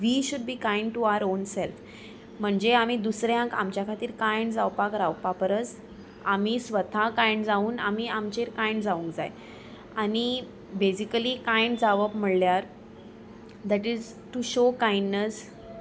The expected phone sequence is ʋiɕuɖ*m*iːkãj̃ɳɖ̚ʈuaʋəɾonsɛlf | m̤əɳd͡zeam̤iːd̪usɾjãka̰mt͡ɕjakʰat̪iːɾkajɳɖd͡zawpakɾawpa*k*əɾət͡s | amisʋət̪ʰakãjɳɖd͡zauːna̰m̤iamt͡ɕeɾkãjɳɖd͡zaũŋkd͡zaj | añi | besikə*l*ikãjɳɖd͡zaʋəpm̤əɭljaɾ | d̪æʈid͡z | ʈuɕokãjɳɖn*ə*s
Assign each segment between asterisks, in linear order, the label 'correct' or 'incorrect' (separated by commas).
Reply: incorrect, incorrect, correct, correct